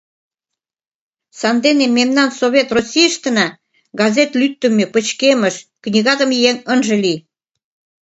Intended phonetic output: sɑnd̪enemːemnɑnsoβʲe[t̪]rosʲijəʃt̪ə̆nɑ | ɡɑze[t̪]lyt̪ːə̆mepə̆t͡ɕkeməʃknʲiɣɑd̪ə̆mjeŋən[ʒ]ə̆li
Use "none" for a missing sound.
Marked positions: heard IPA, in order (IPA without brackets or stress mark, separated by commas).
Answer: t̪, t̪, ʒ